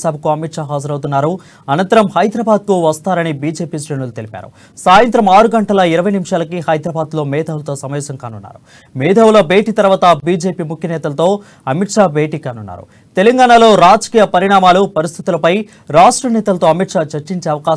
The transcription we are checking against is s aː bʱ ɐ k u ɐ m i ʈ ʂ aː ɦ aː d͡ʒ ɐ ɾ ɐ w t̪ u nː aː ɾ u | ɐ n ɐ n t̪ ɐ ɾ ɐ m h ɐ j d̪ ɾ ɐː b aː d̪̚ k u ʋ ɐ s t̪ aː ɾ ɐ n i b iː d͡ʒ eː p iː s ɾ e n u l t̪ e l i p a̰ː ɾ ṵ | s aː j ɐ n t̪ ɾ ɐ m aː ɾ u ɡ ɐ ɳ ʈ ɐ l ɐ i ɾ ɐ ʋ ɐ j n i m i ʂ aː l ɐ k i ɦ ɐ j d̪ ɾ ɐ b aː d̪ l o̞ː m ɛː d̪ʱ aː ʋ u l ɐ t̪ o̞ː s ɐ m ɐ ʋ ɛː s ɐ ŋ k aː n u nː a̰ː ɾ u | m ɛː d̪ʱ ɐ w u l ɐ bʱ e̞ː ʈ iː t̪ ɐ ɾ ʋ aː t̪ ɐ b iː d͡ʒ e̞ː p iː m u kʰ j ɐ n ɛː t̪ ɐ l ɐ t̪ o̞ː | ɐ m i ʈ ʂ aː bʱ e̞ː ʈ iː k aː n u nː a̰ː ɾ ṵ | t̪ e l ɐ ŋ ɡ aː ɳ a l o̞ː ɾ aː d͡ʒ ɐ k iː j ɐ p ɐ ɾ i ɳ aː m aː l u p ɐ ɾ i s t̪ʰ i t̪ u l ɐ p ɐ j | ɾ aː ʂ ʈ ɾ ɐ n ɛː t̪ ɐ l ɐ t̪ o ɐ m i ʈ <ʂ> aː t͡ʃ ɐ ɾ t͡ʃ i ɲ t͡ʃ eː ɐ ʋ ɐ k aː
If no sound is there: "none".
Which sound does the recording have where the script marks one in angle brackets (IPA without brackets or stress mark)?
ʂ